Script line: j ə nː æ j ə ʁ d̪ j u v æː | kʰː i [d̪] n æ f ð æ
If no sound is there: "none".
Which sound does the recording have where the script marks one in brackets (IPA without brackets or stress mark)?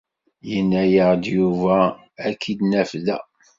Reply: d̪